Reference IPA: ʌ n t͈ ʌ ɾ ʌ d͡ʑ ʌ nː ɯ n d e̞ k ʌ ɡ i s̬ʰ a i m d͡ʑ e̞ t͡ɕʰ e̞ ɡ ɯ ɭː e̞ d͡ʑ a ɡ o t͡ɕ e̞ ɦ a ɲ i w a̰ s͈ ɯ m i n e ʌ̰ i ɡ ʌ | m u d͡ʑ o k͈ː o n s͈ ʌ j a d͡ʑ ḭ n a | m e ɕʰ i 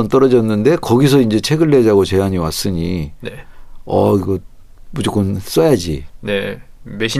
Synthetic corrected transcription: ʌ n t͈ ʌ ɾ ʌ d͡ʑ ʌ nː ɯ n d e̞ k ʌ ɡ i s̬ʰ ʌ i n d͡ʑ e̞ t͡ɕʰ e̞ ɡ ɯ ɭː e̞ d͡ʑ a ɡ o t͡ɕ e̞ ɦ a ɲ i w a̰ s͈ ɯ ɲ i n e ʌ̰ i ɡ ʌ | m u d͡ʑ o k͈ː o n s͈ ʌ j a d͡ʑ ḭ n e | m e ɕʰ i